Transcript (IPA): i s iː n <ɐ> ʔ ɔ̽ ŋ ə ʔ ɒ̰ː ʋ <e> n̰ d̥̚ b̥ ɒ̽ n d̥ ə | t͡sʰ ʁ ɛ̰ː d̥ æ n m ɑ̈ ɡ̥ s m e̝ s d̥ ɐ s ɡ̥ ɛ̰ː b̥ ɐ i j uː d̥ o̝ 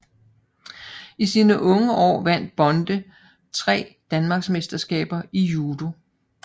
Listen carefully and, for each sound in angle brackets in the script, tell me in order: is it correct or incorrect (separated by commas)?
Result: incorrect, incorrect